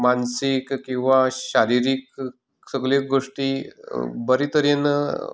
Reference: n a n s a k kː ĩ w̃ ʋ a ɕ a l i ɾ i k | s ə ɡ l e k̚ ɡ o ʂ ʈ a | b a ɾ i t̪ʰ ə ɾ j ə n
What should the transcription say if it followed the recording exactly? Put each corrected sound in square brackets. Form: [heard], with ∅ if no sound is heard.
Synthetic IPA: [m] a n s [i] k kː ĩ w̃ ʋ a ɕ a [ɾ] i ɾ i k | s ə ɡ l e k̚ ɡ o ʂ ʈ [i] | b [ə] ɾ i [t̪] ə ɾ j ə n